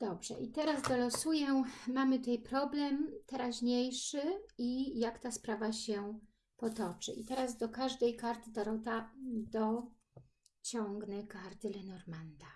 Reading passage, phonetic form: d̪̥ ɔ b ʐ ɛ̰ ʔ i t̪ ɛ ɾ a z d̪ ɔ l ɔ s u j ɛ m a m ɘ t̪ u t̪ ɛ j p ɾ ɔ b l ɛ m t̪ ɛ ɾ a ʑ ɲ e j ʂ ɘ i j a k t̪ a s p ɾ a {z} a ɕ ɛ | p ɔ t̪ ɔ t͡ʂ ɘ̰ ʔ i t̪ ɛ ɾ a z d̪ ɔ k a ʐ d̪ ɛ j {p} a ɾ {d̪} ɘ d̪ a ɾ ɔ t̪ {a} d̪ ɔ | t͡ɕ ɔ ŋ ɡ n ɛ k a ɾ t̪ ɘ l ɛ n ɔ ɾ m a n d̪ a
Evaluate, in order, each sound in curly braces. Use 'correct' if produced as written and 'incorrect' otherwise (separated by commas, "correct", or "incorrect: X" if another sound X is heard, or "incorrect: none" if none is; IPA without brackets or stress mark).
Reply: incorrect: v, incorrect: k, incorrect: t̪, correct